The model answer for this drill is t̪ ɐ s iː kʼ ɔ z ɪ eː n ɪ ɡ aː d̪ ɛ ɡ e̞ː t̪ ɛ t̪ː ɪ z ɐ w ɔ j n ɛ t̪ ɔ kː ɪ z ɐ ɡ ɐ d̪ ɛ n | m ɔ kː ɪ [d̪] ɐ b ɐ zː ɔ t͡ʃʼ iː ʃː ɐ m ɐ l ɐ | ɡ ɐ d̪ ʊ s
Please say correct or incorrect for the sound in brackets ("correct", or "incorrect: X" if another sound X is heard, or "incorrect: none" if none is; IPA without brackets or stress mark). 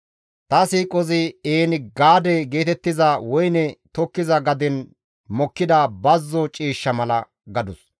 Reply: correct